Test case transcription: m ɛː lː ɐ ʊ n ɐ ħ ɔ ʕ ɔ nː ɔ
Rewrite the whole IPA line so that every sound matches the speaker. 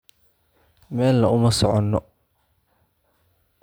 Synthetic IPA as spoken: m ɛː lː ɐ ʊ m ɐ s ɔ ʕ ɔ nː ɔ